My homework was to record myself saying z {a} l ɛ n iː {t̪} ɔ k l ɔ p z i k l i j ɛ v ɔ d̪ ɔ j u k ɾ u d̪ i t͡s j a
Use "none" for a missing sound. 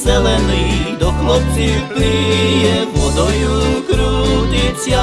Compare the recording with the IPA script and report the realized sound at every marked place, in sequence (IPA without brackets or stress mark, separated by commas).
ɛ, d̪